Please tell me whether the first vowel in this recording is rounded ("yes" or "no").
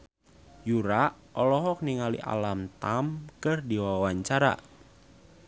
yes